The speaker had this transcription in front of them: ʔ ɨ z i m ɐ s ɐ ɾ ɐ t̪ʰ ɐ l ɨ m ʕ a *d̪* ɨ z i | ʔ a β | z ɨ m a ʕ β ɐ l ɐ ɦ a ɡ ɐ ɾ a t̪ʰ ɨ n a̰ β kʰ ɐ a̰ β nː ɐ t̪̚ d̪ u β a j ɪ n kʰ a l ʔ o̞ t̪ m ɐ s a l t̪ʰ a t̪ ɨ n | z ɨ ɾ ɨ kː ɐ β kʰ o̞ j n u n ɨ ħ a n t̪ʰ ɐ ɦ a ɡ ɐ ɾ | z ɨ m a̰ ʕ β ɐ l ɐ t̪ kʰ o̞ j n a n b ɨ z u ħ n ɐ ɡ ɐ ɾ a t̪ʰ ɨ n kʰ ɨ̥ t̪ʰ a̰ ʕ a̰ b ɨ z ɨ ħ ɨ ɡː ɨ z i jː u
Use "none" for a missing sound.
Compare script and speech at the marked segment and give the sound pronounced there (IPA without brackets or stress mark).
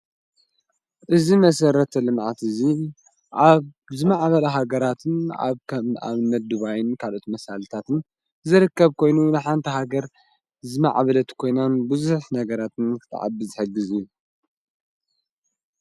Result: t̪